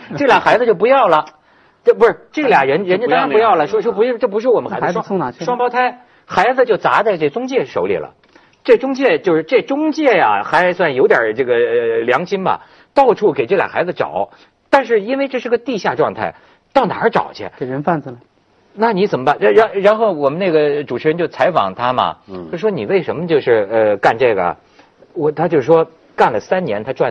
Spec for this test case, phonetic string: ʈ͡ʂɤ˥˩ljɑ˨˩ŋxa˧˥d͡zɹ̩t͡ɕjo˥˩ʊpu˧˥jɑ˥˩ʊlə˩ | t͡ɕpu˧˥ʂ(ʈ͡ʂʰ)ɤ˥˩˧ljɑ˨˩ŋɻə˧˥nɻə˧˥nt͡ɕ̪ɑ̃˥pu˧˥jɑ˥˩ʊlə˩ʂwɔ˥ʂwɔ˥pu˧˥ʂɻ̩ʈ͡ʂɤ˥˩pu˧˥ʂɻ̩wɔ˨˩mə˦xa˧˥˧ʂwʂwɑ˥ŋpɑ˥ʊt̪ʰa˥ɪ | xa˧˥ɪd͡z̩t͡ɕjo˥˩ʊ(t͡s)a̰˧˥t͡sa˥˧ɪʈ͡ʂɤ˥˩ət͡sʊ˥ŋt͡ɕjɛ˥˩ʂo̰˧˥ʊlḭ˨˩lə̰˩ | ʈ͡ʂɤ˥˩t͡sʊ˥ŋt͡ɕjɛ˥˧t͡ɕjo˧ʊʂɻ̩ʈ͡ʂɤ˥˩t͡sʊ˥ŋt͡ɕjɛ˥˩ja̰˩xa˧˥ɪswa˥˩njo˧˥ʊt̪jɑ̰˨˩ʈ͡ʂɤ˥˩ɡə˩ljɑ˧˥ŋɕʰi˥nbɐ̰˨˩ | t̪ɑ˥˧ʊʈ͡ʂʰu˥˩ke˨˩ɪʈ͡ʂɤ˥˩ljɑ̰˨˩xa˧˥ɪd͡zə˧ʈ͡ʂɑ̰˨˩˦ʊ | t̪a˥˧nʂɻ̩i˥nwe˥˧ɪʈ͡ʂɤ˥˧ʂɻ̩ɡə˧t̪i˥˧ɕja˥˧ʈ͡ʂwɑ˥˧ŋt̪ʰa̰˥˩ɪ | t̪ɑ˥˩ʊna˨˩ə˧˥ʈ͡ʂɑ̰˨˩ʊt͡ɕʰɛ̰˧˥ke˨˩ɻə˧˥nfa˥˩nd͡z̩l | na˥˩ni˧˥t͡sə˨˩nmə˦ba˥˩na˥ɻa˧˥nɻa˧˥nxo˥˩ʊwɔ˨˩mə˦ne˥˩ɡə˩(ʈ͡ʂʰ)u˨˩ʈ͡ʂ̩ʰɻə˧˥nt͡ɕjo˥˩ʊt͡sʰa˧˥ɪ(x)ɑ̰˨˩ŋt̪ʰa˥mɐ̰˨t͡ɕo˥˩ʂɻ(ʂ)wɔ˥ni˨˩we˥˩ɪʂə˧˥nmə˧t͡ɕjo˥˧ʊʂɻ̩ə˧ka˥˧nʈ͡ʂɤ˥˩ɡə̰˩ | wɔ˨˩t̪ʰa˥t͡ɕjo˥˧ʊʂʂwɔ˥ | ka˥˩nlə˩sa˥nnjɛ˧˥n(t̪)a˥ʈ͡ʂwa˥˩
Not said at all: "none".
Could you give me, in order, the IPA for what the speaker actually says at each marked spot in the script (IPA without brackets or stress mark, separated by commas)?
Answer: ʈ͡ʂ, t͡s, ʈ͡ʂ, f, ʂ, t̪ʰ